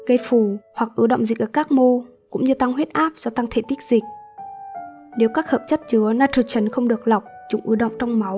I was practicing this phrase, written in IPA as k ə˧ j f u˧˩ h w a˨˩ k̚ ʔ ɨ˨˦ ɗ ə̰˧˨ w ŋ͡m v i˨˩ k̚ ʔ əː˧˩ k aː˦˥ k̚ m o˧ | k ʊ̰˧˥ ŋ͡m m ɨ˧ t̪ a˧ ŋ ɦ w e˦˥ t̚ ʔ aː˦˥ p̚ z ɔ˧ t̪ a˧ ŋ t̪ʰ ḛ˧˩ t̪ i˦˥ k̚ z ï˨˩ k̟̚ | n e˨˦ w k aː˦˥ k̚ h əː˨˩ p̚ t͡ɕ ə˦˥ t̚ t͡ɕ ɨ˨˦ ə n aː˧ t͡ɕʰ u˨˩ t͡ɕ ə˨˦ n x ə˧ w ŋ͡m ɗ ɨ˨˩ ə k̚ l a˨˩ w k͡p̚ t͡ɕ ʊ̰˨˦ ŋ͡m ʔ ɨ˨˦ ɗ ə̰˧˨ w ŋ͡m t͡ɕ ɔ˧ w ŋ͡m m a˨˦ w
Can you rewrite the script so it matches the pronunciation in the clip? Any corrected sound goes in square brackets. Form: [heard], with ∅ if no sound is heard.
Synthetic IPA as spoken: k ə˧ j f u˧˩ h w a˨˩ k̚ ʔ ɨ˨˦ ɗ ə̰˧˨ w ŋ͡m [z] i˨˩ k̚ ʔ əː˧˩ k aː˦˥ k̚ m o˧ | k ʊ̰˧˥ ŋ͡m [ɲ] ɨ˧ t̪ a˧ ŋ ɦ w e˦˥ t̚ ʔ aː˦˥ p̚ z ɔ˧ t̪ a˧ ŋ t̪ʰ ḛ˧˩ t̪ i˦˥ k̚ z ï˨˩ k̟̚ | n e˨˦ w k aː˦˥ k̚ h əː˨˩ p̚ t͡ɕ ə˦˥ t̚ t͡ɕ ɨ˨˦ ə n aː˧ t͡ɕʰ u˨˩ t͡ɕ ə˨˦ n x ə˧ w ŋ͡m ɗ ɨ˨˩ ə k̚ l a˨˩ w k͡p̚ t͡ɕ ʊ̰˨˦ ŋ͡m ʔ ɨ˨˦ ɗ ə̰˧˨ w ŋ͡m t͡ɕ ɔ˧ w ŋ͡m m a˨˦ w